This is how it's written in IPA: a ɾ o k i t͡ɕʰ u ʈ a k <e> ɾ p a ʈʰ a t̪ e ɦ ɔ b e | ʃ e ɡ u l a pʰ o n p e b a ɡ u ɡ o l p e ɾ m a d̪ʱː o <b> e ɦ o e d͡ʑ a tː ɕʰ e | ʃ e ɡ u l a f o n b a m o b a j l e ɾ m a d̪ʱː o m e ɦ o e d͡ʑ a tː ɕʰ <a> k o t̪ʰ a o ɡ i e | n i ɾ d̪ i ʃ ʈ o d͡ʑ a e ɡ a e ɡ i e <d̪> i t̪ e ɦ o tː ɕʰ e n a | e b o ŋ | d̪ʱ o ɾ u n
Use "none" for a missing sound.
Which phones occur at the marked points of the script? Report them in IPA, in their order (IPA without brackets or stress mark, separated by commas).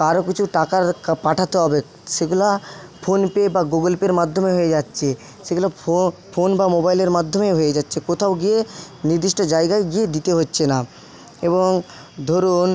a, m, e, d̪